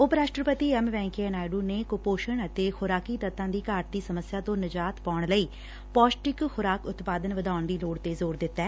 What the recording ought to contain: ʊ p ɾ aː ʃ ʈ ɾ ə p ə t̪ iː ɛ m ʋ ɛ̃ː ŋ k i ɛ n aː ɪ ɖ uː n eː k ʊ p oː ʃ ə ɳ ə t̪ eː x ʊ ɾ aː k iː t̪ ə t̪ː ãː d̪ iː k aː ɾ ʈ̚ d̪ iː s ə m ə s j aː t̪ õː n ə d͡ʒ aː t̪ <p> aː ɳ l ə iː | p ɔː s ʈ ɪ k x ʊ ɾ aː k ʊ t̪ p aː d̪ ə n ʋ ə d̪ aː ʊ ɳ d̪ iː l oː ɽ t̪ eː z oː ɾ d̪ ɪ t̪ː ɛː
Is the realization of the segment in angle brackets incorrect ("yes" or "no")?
no